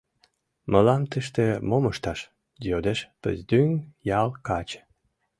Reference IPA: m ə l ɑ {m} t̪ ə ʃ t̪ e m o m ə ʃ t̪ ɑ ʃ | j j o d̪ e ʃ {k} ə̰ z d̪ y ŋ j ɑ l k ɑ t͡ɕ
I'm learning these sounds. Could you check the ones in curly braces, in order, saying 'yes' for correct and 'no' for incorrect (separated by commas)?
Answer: yes, no